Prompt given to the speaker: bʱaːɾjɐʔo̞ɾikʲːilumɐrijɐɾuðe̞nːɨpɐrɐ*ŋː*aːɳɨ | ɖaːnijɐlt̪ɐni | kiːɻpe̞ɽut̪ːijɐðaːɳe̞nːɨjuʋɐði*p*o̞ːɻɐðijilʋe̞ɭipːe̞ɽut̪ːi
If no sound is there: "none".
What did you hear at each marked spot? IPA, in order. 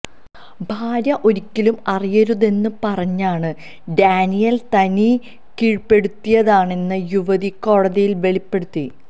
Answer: ɲː, k

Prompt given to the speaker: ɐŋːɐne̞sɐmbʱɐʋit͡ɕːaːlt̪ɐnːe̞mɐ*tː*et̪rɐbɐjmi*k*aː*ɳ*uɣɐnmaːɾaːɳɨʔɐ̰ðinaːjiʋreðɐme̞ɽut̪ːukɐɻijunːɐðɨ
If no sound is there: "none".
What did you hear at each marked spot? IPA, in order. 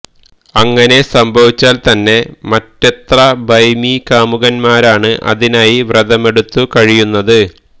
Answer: tː, k, m

